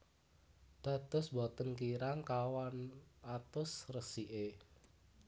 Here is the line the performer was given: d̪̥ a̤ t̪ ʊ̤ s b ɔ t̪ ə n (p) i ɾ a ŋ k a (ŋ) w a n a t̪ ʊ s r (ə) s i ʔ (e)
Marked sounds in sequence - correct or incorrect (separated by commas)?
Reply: incorrect, incorrect, correct, correct